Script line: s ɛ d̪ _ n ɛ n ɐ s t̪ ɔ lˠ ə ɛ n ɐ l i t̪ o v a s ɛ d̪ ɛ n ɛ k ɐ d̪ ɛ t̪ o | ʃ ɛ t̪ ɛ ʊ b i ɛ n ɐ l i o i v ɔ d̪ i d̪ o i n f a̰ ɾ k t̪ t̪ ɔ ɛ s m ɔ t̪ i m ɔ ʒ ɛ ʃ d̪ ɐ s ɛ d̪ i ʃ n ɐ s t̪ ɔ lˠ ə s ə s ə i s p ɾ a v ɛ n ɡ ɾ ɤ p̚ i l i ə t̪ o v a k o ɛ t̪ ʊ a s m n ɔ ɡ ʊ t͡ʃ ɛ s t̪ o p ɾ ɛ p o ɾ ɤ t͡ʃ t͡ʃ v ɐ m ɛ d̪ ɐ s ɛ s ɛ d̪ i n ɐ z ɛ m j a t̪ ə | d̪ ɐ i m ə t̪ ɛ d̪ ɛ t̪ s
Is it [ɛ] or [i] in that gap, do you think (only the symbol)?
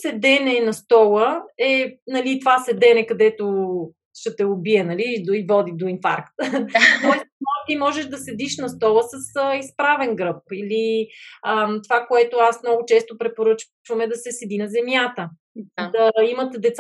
ɛ